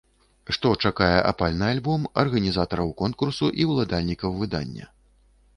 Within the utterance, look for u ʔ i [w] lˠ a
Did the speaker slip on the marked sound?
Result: no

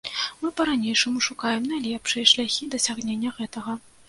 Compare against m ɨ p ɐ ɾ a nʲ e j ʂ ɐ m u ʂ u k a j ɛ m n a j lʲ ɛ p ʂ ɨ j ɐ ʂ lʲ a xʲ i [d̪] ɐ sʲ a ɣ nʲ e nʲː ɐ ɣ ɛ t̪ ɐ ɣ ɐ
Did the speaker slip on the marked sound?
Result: no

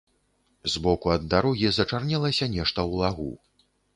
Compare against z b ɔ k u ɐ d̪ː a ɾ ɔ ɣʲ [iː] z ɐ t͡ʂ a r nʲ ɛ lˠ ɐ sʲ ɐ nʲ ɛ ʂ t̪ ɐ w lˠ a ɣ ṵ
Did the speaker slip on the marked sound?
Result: yes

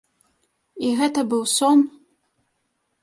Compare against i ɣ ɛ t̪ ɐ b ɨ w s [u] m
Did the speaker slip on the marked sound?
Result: yes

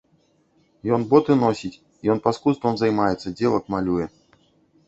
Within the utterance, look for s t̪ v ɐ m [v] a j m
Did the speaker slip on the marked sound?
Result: yes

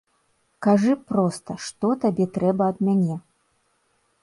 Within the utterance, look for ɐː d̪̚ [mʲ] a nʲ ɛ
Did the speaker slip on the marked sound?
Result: no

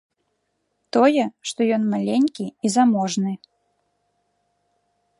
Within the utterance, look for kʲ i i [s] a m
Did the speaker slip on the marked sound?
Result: yes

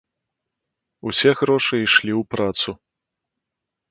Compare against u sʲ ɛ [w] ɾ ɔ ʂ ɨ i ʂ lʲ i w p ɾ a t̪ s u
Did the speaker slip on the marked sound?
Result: yes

